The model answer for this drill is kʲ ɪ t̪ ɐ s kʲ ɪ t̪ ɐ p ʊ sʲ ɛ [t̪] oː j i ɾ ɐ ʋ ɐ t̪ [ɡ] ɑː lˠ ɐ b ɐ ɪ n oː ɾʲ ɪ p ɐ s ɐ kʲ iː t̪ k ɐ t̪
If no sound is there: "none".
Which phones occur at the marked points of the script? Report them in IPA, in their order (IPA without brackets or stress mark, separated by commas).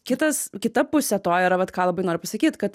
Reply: t̪, k